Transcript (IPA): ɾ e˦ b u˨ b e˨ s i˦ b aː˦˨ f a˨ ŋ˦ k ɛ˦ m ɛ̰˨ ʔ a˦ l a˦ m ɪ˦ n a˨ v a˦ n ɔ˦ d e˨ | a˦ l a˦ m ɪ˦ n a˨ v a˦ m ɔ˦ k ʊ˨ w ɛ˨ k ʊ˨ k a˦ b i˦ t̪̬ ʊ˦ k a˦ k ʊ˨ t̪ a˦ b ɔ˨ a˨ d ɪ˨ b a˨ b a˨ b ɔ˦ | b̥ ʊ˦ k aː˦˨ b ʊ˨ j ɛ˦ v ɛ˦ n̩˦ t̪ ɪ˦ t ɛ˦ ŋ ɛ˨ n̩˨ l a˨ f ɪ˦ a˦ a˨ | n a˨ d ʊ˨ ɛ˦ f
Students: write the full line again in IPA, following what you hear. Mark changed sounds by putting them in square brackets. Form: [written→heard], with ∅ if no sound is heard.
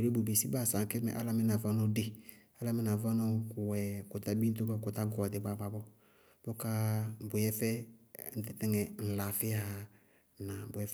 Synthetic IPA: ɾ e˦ b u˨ b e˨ s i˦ b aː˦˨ [f→s] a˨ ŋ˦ k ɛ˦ m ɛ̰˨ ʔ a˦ l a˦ m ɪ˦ n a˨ v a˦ n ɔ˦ d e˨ | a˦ l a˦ m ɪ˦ n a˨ v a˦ [m→n] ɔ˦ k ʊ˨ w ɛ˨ k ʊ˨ [k→t] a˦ b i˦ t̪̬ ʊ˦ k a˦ k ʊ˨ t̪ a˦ [b→ɡ] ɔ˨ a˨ d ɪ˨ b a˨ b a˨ b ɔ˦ | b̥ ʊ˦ k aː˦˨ b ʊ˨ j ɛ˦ [v→f] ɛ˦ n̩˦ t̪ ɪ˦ t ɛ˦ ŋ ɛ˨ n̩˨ l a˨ f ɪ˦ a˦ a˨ | n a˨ [d→b] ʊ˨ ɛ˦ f